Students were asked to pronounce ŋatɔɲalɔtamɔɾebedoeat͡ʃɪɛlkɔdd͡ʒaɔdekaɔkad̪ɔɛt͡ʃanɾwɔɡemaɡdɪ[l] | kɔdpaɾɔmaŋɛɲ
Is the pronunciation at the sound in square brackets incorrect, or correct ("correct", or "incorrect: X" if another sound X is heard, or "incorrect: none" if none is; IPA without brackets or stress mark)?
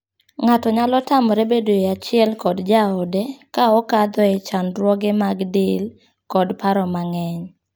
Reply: correct